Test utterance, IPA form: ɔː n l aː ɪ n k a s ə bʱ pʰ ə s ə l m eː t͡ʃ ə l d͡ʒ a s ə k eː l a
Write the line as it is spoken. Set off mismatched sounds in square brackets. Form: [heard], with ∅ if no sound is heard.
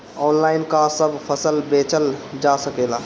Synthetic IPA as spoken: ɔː n l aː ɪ n k a s ə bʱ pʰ ə s ə l [b] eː t͡ʃ ə l d͡ʒ a s ə k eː l a